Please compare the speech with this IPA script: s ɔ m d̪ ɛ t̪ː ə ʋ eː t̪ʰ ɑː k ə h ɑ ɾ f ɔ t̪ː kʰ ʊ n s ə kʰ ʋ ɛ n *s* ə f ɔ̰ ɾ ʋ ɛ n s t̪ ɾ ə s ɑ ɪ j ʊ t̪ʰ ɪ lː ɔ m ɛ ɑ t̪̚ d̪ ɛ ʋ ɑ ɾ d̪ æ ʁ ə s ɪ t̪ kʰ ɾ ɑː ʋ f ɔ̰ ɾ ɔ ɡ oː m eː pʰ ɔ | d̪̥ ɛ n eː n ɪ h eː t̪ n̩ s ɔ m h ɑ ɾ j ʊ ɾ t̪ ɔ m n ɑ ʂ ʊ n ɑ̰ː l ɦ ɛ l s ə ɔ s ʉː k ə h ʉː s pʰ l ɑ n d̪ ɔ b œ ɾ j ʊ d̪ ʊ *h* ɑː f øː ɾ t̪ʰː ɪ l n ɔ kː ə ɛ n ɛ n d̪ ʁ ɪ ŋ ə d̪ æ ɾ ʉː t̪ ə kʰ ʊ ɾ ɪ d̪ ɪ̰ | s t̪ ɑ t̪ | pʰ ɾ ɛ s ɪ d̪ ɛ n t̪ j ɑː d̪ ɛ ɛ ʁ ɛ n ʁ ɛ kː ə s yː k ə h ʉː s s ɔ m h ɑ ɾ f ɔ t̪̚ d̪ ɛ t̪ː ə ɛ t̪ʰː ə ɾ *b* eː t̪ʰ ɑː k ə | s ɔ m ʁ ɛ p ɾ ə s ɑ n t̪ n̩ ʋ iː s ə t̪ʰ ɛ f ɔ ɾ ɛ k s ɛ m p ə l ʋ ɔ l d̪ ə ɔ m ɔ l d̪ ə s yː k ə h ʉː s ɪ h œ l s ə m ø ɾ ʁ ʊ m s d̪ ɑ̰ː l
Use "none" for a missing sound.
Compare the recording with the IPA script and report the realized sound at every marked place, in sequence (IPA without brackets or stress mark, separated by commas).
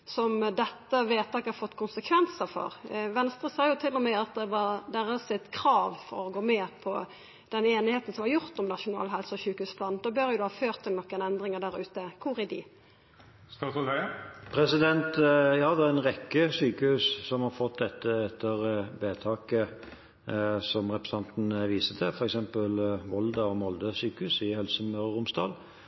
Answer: s, h, b